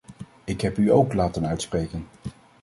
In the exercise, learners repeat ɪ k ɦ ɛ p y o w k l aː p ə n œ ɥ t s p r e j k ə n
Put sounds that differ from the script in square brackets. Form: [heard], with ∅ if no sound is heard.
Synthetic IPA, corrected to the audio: ɪ k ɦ ɛ p y o w k l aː [t] ə n œ ɥ t s p r e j k ə n